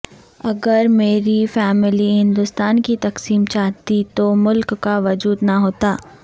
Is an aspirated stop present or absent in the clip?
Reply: absent